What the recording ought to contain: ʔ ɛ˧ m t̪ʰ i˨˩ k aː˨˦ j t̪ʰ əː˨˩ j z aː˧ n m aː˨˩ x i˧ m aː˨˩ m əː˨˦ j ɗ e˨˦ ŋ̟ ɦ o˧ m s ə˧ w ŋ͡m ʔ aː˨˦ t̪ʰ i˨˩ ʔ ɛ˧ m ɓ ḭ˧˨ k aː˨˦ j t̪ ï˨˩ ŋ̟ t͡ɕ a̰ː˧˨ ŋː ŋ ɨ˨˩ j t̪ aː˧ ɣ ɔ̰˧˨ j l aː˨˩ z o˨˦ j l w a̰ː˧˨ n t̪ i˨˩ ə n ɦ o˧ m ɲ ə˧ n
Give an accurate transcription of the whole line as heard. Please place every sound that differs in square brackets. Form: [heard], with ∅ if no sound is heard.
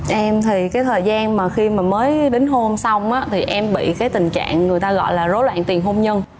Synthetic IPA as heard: ʔ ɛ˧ m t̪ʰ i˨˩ k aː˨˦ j t̪ʰ əː˨˩ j z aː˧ n m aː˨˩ x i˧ m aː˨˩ m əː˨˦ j ɗ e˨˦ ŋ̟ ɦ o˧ m s [a˧] w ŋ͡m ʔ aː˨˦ t̪ʰ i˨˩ ʔ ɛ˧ m ɓ ḭ˧˨ k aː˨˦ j t̪ ï˨˩ ŋ̟ t͡ɕ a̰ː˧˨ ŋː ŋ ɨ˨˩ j t̪ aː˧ ɣ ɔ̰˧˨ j l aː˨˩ z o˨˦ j l w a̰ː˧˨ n t̪ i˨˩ ə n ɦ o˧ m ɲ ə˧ n